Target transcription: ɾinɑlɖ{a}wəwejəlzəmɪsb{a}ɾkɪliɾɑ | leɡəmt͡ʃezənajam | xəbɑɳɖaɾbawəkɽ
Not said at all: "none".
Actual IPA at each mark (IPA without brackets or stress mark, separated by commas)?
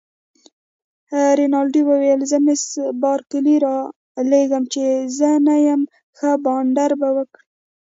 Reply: i, ɑ